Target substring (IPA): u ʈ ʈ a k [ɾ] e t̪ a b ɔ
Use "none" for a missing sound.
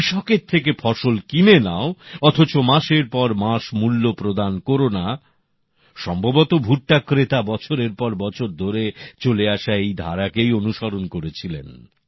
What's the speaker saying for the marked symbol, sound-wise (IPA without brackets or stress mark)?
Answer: ɾ